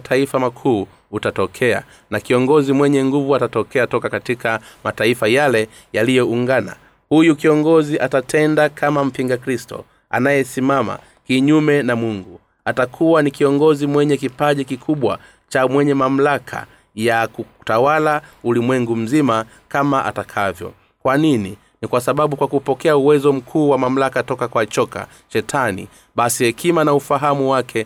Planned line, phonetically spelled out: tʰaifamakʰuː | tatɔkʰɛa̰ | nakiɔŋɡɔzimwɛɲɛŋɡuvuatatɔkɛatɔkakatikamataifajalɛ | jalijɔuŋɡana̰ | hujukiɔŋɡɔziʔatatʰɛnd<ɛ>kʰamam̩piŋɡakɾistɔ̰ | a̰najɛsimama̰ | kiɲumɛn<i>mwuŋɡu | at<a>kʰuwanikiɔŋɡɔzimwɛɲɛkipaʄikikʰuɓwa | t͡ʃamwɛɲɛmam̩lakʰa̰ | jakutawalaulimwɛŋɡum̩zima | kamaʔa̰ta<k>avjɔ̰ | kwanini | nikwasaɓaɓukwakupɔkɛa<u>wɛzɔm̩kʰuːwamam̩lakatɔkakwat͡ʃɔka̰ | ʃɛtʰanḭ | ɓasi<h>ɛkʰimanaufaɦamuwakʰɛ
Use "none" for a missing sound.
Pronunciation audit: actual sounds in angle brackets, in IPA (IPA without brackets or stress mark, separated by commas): a, a, a, kʰ, u, h